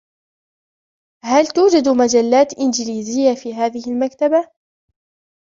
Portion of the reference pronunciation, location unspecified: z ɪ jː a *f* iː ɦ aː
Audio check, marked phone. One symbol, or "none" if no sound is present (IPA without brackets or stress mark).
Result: f